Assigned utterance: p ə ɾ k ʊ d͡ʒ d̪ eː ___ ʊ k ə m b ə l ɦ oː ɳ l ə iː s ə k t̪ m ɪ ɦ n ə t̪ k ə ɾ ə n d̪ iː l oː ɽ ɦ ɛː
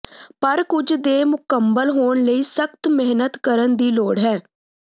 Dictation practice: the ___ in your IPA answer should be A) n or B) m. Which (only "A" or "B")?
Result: B